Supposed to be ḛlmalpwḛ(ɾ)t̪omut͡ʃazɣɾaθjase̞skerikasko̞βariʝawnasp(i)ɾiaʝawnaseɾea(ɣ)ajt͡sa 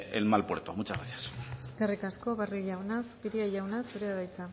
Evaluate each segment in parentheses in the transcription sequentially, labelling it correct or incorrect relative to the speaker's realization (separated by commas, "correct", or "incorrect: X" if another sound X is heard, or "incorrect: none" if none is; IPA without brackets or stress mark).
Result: correct, correct, incorrect: ð